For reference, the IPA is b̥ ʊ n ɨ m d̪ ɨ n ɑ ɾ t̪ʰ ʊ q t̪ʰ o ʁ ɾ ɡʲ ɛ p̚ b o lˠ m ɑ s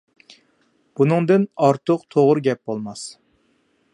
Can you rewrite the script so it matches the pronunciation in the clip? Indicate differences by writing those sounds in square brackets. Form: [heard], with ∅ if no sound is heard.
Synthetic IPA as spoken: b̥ [u] n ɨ [ŋ] d̪ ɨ n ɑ ɾ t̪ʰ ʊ q t̪ʰ o ʁ ɾ ɡʲ ɛ p̚ b o lˠ m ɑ s